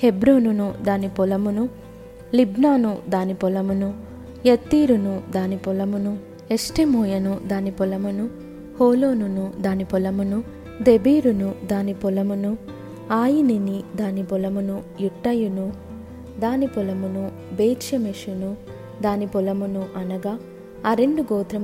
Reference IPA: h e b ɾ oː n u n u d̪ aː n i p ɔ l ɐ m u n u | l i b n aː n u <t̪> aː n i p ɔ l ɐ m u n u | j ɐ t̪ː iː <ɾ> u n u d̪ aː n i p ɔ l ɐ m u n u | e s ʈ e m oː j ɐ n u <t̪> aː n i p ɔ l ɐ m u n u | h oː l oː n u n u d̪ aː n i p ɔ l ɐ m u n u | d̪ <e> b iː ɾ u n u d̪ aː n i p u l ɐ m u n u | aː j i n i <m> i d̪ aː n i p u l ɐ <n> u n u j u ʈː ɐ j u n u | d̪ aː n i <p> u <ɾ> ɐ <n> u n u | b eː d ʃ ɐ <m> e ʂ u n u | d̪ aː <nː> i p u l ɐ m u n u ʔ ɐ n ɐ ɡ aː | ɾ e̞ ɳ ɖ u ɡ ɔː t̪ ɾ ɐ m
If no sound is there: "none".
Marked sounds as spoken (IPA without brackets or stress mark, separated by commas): d̪, ɾ, d̪, e, n, m, p, l, m, m, n